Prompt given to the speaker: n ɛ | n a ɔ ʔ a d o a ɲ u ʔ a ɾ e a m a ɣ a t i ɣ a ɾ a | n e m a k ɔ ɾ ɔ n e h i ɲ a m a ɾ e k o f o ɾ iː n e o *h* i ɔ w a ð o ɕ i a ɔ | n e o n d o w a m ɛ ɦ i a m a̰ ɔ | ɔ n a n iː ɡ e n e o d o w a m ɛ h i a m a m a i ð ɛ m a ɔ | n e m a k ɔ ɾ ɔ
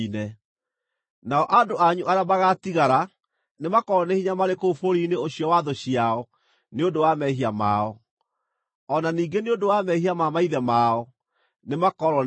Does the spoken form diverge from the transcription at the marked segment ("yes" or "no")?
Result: yes